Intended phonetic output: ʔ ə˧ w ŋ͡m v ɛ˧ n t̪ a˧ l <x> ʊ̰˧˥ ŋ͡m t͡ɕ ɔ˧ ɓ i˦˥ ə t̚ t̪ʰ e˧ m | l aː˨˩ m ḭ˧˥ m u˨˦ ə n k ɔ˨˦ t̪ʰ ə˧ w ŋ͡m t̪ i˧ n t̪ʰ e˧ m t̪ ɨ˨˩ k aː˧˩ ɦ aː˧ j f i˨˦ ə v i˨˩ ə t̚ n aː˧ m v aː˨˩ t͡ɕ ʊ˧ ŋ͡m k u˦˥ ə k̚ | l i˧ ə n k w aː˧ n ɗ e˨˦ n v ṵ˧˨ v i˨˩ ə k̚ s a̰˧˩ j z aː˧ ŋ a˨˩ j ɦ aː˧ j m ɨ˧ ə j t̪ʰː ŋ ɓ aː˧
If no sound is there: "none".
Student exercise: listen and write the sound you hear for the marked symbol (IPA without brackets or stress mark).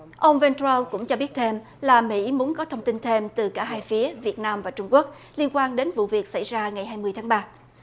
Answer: k